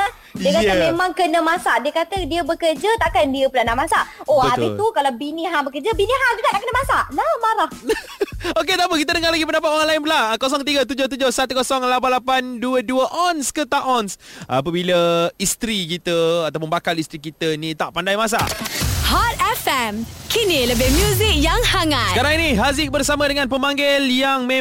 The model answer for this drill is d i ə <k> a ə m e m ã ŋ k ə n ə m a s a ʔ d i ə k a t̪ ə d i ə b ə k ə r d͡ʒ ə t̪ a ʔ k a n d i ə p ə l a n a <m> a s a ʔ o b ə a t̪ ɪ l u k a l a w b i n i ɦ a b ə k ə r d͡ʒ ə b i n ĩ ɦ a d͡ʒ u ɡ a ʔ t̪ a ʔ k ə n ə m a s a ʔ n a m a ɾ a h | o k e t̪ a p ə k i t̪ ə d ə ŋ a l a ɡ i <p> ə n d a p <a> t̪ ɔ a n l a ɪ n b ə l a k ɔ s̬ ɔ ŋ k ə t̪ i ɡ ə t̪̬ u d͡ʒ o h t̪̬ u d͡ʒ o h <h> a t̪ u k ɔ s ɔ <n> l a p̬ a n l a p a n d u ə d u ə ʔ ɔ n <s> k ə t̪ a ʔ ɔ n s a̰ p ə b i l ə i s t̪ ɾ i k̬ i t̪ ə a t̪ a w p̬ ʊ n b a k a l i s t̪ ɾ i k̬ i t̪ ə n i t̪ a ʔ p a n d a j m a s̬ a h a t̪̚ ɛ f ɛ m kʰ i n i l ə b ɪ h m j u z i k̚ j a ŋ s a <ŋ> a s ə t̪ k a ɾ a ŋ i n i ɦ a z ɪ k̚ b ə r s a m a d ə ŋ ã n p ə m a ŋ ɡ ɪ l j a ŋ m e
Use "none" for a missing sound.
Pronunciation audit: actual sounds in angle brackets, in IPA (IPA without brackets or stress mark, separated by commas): k, m, p, a, s, ŋ, s, ŋ